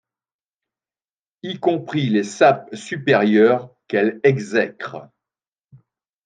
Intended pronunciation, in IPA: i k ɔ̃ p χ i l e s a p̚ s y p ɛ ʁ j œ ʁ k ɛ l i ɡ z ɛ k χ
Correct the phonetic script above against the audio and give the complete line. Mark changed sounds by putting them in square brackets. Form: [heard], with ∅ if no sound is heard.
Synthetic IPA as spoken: i k ɔ̃ p χ i l e s a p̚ s y p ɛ ʁ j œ ʁ k ɛ l [ɛ] ɡ z ɛ k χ